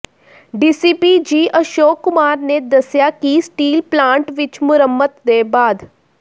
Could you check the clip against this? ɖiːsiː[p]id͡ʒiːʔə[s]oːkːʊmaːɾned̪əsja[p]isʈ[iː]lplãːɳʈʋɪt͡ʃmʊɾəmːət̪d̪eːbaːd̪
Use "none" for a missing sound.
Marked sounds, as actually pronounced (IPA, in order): p, ʃ, k, iː

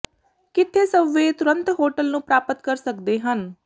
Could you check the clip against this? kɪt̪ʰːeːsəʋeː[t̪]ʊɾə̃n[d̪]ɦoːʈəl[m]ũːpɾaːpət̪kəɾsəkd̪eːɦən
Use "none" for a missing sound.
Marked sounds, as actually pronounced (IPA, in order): t̪, t̪, n

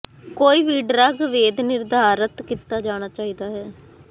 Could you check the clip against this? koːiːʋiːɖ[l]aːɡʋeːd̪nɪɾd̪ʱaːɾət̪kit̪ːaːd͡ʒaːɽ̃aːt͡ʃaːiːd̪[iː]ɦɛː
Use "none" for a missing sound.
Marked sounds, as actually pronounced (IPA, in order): ɾ, aː

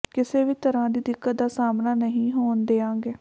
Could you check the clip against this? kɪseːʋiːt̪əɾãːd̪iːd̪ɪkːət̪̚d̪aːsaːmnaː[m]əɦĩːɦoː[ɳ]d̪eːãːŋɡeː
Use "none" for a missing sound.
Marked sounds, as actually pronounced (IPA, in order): n, n

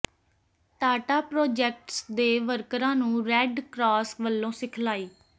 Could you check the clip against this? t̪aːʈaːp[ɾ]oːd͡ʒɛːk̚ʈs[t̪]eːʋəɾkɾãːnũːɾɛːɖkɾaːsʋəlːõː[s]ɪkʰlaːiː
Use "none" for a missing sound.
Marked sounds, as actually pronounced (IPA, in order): ɾ, d̪, s

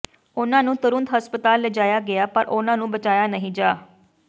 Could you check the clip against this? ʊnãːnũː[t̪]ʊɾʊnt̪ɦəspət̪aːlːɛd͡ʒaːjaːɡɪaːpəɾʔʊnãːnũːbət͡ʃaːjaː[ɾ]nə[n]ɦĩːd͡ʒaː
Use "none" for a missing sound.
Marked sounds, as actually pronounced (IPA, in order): t̪, none, none

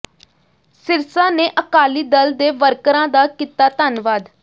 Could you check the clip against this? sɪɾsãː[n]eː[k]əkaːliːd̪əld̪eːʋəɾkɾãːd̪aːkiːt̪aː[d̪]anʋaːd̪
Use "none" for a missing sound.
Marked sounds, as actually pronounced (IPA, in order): n, ʔ, t̪

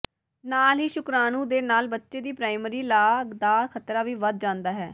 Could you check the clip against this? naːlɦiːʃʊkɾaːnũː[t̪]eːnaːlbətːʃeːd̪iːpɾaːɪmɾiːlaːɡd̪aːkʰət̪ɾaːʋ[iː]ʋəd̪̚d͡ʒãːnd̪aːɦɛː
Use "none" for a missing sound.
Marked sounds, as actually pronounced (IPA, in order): d̪, iː

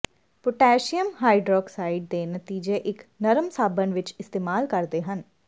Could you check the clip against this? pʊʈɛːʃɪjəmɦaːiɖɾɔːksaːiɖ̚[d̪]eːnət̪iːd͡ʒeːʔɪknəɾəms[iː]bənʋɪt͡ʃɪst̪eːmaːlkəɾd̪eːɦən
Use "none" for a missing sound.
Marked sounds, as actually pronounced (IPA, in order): d̪, aː

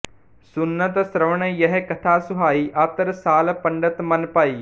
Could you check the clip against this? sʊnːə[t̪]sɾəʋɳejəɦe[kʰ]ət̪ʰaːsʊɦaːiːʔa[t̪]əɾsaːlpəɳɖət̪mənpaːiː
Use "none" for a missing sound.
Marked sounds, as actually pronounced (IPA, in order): t̪, k, t̪

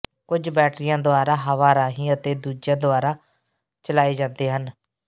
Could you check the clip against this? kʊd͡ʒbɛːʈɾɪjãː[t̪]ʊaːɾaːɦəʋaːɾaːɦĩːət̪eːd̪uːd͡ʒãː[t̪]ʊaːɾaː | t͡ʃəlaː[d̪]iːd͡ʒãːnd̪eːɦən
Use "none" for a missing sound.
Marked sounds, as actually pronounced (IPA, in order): d̪, d̪, none

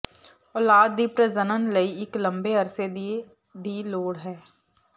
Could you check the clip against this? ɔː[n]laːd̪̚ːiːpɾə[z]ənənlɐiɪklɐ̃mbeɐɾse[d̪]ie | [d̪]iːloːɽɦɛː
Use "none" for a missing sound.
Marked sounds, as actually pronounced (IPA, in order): none, z, d̪, d̪

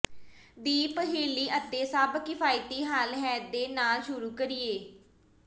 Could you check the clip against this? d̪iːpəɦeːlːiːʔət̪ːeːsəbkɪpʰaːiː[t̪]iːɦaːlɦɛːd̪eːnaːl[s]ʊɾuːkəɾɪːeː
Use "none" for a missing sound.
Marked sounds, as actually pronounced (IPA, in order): t̪, ʃ

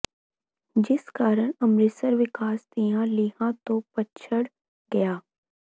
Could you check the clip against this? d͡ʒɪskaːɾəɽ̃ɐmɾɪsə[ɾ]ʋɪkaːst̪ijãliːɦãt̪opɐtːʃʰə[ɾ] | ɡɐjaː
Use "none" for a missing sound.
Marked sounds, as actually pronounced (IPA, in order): ɾ, ɽ

